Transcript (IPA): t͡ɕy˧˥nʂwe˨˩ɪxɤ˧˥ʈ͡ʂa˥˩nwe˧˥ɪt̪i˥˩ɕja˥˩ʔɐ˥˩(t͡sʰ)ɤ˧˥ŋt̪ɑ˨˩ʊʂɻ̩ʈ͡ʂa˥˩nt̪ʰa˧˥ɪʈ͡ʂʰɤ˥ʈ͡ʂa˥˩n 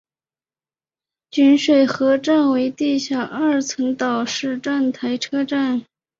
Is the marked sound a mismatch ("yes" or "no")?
no